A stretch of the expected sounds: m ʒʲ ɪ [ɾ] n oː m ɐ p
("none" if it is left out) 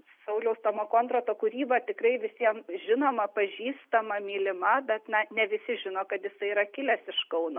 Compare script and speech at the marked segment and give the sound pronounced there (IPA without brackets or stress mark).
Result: none